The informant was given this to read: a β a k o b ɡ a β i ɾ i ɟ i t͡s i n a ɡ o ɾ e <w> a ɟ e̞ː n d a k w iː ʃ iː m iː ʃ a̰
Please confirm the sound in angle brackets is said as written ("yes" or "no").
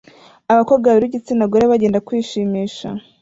no